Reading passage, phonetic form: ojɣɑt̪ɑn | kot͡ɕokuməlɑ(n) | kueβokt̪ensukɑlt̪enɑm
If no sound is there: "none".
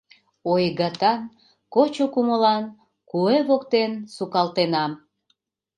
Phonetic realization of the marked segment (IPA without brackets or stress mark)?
n